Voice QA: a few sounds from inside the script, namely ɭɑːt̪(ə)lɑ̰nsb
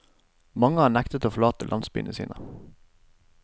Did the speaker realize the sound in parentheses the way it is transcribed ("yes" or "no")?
yes